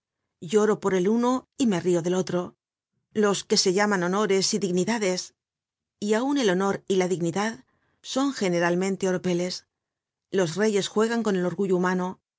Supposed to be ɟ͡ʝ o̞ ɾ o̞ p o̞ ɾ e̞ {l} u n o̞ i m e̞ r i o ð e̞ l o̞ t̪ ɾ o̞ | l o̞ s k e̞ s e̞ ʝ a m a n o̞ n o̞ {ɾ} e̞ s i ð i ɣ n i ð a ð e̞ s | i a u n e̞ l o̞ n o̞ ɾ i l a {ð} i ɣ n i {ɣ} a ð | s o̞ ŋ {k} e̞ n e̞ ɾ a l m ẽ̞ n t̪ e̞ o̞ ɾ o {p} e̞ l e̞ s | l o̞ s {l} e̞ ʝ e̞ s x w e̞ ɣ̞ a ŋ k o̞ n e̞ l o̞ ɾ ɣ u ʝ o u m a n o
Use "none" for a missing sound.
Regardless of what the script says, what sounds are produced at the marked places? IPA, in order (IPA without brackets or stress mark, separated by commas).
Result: l, ɾ, ð, ð, x, p, r